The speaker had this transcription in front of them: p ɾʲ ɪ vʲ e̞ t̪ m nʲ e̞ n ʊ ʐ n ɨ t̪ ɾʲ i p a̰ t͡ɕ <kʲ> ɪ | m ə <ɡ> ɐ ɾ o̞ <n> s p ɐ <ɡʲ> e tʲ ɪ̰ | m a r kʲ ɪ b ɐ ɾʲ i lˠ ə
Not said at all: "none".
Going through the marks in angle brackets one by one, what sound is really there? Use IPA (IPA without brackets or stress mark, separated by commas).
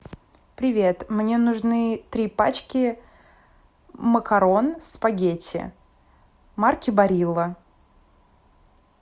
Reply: kʲ, k, n, ɡʲ